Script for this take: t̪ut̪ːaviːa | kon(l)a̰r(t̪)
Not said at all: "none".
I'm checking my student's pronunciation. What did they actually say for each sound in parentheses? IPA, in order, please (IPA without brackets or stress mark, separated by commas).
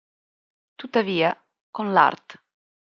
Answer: l, t̪